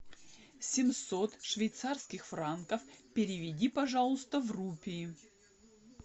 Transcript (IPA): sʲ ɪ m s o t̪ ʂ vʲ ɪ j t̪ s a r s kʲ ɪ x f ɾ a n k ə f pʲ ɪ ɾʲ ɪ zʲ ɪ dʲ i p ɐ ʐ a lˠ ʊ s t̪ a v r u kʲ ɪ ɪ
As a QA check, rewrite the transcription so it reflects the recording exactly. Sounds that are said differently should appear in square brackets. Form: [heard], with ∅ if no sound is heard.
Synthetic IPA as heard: sʲ ɪ m s o t̪ ʂ vʲ ɪ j t̪ s a r s kʲ ɪ x f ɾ a n k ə f pʲ ɪ ɾʲ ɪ [vʲ] ɪ dʲ i p ɐ ʐ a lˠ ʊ s t̪ [ə] v r u [pʲ] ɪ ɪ